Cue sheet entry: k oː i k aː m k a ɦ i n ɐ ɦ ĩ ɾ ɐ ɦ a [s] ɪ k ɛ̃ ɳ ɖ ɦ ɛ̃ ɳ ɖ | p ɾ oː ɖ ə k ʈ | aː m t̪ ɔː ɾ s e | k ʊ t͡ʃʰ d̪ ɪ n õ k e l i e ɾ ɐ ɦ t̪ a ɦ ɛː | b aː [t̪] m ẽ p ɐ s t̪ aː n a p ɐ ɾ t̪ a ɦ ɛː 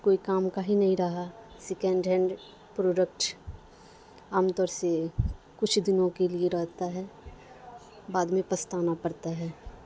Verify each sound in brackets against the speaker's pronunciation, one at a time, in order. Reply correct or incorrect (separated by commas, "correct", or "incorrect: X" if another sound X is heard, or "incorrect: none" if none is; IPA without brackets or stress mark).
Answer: correct, incorrect: d̪